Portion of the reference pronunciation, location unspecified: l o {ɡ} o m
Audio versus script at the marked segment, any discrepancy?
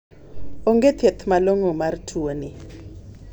yes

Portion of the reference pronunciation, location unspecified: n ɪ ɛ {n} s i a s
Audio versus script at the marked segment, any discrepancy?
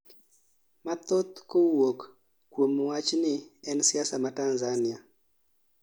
no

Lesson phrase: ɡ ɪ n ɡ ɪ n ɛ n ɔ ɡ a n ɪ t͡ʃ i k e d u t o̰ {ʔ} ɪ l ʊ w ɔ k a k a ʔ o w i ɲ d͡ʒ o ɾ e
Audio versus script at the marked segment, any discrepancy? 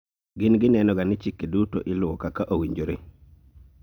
no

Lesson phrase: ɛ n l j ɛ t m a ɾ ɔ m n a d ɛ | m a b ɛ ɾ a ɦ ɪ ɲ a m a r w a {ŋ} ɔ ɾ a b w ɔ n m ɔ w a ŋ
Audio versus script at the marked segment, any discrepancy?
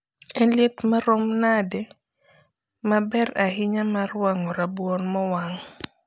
no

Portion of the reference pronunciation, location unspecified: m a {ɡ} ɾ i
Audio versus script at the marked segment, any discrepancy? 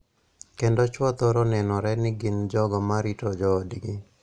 yes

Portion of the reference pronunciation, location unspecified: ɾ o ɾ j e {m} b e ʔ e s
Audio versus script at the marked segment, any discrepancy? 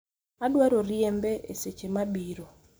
no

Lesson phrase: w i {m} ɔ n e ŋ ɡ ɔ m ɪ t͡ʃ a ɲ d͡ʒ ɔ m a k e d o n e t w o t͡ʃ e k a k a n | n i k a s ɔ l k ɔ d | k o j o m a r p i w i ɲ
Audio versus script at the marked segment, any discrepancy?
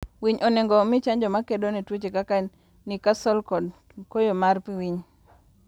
yes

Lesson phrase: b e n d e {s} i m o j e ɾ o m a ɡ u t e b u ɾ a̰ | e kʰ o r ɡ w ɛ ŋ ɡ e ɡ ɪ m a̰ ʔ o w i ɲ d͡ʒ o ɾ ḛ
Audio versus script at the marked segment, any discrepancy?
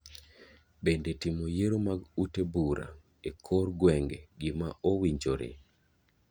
yes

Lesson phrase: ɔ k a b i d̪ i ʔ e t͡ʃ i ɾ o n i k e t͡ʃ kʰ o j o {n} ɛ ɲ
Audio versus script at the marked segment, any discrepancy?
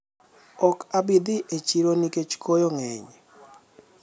yes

